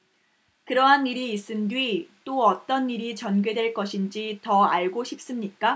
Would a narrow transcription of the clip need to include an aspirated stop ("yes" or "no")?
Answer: no